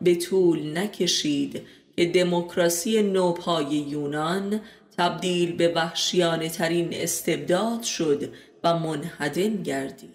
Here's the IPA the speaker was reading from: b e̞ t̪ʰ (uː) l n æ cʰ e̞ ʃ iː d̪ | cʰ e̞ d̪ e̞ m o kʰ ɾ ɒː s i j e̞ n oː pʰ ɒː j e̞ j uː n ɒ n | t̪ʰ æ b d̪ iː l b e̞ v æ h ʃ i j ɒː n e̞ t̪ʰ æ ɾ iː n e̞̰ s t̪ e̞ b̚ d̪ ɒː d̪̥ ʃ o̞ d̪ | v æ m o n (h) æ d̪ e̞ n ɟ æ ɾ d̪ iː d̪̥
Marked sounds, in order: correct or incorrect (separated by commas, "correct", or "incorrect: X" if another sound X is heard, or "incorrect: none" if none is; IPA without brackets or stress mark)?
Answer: correct, correct